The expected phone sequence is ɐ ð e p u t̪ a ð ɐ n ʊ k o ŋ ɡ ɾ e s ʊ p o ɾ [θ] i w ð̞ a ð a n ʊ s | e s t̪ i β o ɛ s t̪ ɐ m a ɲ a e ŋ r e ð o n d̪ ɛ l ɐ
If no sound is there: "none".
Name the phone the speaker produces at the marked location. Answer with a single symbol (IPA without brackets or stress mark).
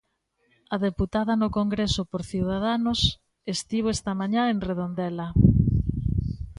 θ